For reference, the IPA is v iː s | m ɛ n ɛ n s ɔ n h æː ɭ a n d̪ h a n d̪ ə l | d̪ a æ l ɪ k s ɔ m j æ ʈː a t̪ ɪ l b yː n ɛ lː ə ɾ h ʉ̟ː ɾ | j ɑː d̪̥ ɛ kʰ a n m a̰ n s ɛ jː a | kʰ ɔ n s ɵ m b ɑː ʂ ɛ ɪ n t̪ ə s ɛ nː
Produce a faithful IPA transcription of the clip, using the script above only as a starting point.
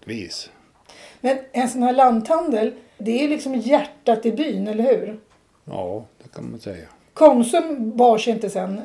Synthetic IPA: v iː s | m ɛ n ɛ n s ɔ n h æː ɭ a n d̪ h a n d̪ ə l | d̪ ɛ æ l ɪ k s ɔ m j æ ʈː a t̪ ɪ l b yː n ɛ lː ə ɾ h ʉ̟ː ɾ | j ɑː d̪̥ ɛ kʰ a n m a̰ n s ɛ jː a | kʰ ɔ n s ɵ m b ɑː ʂ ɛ ɪ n t̪ ə s ɛ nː